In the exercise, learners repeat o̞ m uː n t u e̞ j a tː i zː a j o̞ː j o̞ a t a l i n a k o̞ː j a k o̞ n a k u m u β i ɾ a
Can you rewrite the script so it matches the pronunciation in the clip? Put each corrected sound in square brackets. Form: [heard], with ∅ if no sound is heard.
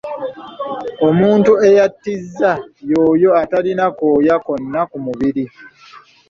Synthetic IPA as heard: o̞ m uː n t u e̞ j a tː i zː a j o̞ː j o̞ a t a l i n a k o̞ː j a k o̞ [nː] a k u m u β i ɾ [i]